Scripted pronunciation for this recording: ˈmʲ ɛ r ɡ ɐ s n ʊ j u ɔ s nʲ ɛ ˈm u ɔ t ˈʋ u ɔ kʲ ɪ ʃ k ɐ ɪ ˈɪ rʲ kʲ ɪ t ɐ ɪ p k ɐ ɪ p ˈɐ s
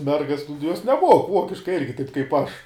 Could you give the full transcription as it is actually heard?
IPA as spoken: ˈmʲ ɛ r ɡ ɐ s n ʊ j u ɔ s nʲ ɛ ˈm u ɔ k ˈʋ u ɔ kʲ ɪ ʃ k ɐ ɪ ˈɪ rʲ ɡʲ ɪ t ɐ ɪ p k ɐ ɪ p ˈɐ ʃ